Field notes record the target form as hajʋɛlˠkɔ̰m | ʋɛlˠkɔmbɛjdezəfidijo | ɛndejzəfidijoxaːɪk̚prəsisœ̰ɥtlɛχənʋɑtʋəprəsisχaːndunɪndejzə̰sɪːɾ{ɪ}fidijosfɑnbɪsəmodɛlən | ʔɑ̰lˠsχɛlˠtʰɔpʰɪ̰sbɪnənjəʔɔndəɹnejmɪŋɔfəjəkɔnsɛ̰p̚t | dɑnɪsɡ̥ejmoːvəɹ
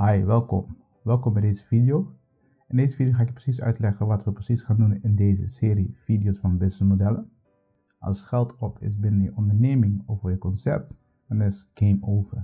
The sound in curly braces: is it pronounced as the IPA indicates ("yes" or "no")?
no